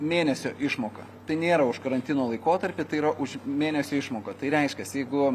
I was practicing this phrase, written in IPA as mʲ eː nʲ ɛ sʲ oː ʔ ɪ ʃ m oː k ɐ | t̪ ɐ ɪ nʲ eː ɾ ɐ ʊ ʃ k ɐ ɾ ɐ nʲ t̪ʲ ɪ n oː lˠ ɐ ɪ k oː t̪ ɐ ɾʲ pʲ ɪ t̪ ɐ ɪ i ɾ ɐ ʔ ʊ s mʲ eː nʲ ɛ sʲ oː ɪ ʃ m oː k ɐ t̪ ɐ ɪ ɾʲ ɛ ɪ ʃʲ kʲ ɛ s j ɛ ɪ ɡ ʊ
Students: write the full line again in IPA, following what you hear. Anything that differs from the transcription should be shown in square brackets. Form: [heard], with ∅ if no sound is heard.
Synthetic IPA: mʲ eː nʲ ɛ sʲ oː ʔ ɪ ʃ m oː k ɐ | t̪ ɐ ɪ nʲ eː ɾ ɐ ʊ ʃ k ɐ ɾ ɐ nʲ t̪ʲ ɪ n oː lˠ ɐ ɪ k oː t̪ ɐ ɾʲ pʲ ɪ t̪ ɐ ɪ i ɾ ɐ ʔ ʊ [ʃ] mʲ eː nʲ ɛ sʲ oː ɪ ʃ m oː k ɐ t̪ ɐ ɪ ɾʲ ɛ ɪ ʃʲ kʲ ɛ s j ɛ ɪ ɡ ʊ